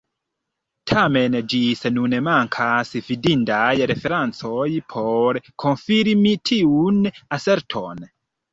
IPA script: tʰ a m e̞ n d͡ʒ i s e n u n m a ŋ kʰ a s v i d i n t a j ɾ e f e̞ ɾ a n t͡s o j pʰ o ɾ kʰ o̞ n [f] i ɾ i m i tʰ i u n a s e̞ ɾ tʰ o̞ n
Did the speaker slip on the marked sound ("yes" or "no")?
no